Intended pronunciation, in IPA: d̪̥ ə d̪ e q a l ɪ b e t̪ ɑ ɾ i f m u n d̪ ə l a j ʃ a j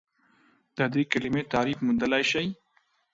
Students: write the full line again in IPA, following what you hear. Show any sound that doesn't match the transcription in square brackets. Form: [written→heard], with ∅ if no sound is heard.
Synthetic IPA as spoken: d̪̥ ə d̪ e [q→k] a l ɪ [b→m] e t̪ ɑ ɾ i f m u n d̪ ə l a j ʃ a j